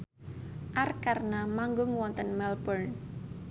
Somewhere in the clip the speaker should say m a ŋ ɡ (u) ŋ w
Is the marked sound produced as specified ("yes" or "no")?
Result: no